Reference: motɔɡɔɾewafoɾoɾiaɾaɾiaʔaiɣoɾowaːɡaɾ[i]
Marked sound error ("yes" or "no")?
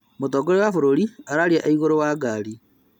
no